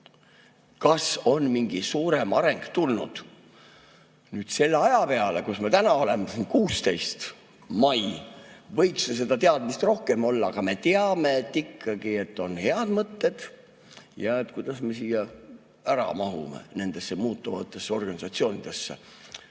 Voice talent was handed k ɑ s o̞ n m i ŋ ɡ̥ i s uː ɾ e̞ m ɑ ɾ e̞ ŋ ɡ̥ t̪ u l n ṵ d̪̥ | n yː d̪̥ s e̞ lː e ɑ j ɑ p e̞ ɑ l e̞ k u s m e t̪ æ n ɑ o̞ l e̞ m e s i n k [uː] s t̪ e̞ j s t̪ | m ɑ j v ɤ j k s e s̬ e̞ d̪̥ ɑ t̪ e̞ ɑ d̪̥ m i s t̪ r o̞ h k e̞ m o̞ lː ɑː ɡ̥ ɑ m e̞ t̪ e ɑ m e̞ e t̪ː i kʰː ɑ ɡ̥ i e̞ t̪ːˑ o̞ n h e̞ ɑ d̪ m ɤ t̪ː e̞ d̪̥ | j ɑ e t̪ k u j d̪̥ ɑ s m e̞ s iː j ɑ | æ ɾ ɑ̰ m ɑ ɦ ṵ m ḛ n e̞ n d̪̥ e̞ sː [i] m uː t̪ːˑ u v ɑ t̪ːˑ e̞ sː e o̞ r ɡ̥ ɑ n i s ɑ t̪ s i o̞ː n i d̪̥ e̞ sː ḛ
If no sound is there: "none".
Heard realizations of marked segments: uː, e

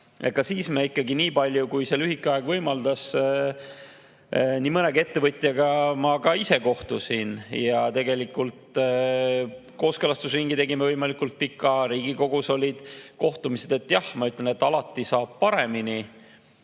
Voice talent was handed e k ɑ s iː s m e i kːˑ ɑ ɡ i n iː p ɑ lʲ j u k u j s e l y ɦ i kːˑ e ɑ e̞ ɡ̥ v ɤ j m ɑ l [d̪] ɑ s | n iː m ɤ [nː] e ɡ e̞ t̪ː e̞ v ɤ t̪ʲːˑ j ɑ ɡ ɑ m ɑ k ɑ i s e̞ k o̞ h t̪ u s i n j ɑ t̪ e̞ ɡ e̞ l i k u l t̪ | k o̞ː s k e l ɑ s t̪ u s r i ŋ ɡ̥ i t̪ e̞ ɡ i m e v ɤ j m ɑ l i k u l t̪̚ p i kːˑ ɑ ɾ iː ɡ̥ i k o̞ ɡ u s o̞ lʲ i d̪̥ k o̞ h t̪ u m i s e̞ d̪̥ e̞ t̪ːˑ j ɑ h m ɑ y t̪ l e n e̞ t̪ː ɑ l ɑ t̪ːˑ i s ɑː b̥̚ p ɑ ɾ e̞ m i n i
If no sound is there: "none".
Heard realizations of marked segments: d̪, n

